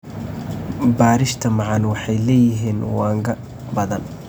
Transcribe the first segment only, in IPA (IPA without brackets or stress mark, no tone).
b